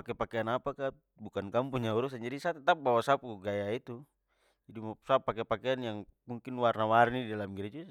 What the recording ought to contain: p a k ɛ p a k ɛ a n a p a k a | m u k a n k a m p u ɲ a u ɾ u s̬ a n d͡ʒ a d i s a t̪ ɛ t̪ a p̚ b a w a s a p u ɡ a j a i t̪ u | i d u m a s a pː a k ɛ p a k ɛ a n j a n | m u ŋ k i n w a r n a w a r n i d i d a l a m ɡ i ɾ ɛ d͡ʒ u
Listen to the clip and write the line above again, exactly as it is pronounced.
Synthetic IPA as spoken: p a k ɛ p a k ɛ a n a p a k a | b u k a n k a m p u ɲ a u ɾ u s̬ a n d͡ʒ a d i s a t̪ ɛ t̪ a p̚ b a w a s a p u ɡ a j a i t̪ u | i d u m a s a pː a k ɛ p a k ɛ a n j a ŋ | m u ŋ k i n w a r n a w a r n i d i d a l a m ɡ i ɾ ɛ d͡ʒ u